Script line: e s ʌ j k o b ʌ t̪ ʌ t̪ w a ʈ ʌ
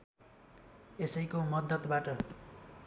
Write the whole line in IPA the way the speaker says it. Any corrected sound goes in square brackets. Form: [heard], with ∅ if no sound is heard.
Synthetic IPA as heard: e s ʌ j k o [m] ʌ [d̪] ʌ t̪ [b] a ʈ ʌ